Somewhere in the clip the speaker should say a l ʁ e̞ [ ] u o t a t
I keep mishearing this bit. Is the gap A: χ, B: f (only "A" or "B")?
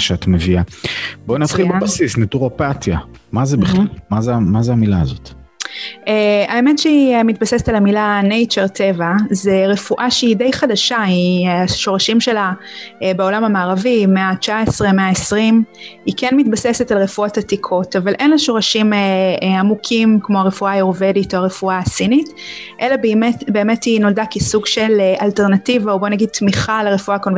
B